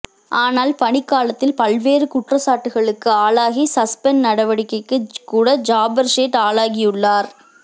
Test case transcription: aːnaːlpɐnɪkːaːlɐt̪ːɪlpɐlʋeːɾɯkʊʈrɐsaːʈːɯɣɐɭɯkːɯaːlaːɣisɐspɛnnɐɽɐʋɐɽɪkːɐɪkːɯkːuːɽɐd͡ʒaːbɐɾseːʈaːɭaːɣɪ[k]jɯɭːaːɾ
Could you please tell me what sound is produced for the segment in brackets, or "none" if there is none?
none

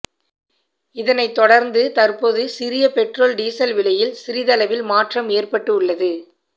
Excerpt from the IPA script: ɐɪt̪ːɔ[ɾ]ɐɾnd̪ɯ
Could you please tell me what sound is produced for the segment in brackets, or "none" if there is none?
ɽ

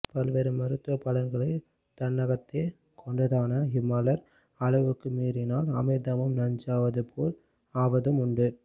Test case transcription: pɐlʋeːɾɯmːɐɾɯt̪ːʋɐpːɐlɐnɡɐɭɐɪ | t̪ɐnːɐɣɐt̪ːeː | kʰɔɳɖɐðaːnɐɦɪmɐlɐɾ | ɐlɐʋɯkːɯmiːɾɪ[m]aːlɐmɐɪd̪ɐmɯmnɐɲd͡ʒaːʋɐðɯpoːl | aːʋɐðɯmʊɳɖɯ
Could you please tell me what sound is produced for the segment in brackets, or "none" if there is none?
n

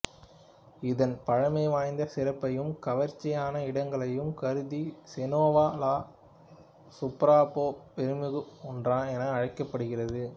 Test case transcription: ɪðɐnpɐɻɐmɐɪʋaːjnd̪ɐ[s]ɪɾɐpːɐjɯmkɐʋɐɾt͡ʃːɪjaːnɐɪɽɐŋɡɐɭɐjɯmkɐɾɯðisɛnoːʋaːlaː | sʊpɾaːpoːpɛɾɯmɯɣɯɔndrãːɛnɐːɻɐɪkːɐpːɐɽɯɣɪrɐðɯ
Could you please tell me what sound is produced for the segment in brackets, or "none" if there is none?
s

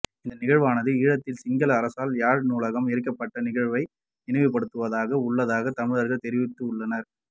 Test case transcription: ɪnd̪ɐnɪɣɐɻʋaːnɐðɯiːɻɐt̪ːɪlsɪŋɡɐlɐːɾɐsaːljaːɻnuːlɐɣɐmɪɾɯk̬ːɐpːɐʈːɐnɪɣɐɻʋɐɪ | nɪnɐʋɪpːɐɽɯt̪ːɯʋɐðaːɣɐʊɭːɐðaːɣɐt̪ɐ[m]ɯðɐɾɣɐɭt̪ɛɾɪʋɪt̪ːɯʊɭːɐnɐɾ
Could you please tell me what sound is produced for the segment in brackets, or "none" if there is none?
m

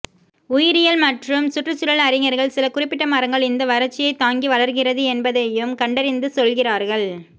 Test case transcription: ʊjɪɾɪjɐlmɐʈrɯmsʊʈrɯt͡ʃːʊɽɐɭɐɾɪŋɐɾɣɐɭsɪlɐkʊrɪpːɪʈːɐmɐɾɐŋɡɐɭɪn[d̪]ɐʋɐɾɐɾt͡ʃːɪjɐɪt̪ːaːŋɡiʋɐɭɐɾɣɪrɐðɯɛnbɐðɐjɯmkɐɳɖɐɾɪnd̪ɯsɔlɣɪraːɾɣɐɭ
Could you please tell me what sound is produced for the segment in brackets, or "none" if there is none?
d̪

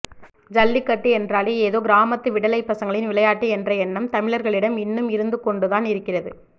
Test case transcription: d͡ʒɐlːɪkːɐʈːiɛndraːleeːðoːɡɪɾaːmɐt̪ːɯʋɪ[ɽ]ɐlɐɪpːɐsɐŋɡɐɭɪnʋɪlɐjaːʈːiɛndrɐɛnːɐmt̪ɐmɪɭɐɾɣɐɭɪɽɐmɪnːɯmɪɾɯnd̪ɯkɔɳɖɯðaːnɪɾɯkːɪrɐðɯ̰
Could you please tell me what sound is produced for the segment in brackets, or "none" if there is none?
ɽ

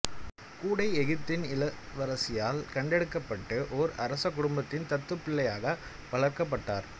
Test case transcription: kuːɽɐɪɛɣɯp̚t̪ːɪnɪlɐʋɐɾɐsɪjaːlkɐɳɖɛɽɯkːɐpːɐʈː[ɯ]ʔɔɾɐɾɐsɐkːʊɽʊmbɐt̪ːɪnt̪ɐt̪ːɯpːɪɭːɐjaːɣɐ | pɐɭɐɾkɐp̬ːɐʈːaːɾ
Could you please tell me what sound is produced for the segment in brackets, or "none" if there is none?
ɯ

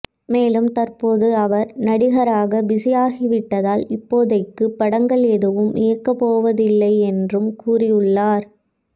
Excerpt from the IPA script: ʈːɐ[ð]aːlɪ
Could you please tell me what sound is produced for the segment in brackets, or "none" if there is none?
ð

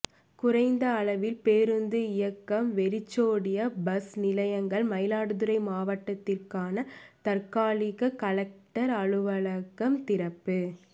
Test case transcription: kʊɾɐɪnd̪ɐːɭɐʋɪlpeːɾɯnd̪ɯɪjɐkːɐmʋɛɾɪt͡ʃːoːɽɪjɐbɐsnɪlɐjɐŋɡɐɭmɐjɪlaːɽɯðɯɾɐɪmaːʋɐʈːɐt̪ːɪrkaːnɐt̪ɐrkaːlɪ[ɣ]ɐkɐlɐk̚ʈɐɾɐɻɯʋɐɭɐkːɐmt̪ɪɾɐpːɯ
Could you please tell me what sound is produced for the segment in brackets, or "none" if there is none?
ɣ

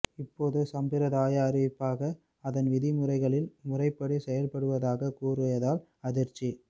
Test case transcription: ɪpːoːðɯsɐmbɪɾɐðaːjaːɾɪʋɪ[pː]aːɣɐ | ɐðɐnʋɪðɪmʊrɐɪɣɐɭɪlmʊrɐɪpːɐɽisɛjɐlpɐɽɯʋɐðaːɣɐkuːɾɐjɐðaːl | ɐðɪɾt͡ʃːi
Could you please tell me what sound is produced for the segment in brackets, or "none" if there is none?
pː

